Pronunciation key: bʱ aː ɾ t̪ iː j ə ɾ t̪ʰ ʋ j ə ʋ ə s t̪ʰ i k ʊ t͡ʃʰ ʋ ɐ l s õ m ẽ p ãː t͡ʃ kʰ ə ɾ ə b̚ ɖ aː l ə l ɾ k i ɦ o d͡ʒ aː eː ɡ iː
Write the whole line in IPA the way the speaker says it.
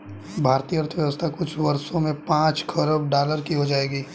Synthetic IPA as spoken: bʱ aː ɾ t̪ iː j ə ɾ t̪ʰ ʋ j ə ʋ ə s t̪ʰ a k ʊ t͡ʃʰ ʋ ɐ ɾ s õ m ẽ p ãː t͡ʃ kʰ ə ɾ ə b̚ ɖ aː l ə ɾ k i ɦ o d͡ʒ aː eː ɡ iː